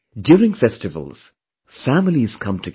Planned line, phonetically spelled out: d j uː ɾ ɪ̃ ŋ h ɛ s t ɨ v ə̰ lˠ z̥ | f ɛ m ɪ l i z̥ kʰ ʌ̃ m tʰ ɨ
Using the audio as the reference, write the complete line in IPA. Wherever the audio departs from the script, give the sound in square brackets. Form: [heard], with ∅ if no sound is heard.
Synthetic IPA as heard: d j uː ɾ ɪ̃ ŋ [f] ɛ s t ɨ v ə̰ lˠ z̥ | f [æ] m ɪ l i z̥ kʰ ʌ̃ m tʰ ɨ